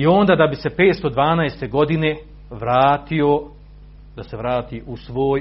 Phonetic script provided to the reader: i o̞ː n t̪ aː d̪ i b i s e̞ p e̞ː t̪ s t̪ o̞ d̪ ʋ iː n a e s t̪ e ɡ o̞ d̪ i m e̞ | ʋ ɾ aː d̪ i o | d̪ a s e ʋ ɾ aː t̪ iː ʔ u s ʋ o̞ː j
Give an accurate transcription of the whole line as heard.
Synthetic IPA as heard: i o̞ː n d̪ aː d̪ a b i s e̞ p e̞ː t̪ s t̪ o̞ d̪ ʋ aː n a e s t̪ e ɡ o̞ d̪ i n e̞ | ʋ ɾ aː t̪ i o | d̪ a s e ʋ ɾ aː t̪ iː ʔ u s ʋ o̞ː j